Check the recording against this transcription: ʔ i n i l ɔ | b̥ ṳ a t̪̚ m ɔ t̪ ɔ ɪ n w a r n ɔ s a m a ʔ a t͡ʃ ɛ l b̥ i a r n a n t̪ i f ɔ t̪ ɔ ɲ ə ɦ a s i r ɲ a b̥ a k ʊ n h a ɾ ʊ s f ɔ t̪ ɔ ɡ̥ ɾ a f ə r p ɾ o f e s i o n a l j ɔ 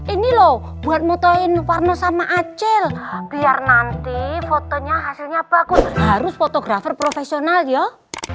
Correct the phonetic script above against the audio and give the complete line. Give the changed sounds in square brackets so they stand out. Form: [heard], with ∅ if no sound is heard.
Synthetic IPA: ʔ i n i l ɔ | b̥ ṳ a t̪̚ m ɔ t̪ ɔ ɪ n w a r n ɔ s a m a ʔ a t͡ʃ ɛ l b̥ i a r n a n t̪ i f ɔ t̪ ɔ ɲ [a] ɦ a s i [l] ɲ a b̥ a k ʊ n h a ɾ ʊ s f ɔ t̪ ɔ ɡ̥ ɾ a f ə r p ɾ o f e s i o n a l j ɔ